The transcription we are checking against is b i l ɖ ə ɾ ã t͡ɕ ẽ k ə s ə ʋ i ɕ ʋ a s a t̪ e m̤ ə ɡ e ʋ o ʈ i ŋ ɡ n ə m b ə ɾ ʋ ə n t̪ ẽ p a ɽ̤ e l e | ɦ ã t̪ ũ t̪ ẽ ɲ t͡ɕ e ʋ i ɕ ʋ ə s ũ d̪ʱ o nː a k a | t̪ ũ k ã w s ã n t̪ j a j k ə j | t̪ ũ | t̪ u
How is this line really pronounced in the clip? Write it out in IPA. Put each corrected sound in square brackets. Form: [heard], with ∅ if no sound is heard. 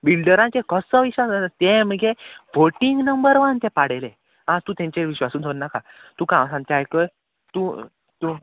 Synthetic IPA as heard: b i l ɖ ə ɾ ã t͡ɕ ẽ k ə s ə ʋ i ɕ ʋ a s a t̪ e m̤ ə ɡ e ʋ o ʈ i ŋ ɡ n ə m b ə ɾ ʋ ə n t̪ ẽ p a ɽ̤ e l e | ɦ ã t̪ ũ t̪ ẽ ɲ t͡ɕ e ʋ i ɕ ʋ [a] s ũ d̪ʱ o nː a k a | t̪ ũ k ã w s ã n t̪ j a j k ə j | t̪ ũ | t̪ u

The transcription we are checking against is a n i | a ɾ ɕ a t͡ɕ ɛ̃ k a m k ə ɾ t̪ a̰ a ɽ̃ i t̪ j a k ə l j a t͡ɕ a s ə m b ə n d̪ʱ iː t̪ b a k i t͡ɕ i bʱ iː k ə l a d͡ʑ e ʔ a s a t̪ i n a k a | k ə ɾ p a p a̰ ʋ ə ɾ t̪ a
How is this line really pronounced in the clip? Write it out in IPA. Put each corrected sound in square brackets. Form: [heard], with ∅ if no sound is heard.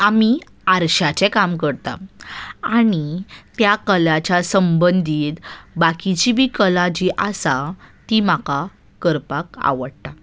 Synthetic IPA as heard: a [m] i | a ɾ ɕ a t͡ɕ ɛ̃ k a m k ə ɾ t̪ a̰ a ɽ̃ i t̪ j a k ə l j a t͡ɕ a s ə m b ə n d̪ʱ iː t̪ b a k i t͡ɕ i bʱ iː k ə l a d͡ʑ [i] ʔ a s a t̪ i [m] a k a | k ə ɾ p a [k] a̰ ʋ ə [ɽ] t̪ a

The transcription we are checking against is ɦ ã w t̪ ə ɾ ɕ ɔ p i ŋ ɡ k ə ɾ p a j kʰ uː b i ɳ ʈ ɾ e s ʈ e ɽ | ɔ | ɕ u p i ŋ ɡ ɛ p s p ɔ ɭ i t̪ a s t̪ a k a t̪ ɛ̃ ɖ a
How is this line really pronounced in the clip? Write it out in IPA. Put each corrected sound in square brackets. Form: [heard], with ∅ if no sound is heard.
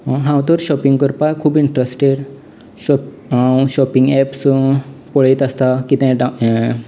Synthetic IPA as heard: ɦ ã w t̪ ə ɾ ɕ ɔ p i ŋ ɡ k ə ɾ p a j kʰ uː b i ɳ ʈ ɾ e s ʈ e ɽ | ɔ | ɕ [ɔ] p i ŋ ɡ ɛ p s p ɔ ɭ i t̪ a s t̪ a k [i] t̪ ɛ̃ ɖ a

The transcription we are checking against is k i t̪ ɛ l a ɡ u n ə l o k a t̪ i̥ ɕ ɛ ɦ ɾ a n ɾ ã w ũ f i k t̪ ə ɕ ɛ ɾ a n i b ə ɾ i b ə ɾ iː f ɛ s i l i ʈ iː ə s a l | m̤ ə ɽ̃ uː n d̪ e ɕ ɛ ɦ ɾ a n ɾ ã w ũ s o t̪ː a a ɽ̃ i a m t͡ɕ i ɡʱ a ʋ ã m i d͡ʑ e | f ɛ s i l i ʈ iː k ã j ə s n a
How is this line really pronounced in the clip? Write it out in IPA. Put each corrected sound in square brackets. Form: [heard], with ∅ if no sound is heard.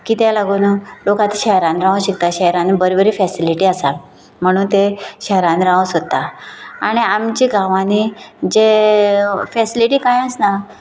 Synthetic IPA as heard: k i t̪ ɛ l a ɡ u n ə l o k a t̪ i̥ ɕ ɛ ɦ ɾ a n ɾ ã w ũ [ɕ] i k t̪ [a] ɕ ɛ ɾ a n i b ə ɾ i b ə ɾ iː f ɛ s i l i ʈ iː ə s a l | m̤ ə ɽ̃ uː n [t̪] e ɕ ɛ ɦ ɾ a n ɾ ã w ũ s o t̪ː a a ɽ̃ i a m t͡ɕ i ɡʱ a ʋ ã [n] i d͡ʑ e | f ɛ s i l i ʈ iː k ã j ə s n a

